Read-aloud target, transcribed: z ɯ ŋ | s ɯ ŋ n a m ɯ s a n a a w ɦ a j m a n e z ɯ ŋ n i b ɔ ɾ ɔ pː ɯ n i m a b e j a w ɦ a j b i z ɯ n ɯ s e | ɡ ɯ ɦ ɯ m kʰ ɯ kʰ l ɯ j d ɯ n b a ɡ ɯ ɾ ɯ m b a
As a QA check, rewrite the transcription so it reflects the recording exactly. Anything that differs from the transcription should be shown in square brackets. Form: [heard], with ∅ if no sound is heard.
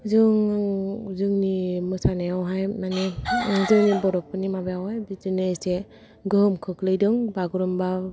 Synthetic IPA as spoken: z ɯ ŋ | [z] ɯ ŋ n [i] m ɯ s a n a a w ɦ a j m a n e z ɯ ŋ n i b ɔ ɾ ɔ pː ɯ n i m a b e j a w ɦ a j b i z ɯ n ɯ s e | ɡ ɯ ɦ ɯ m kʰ ɯ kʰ l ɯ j d ɯ [ŋ] b a ɡ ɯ ɾ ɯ m b a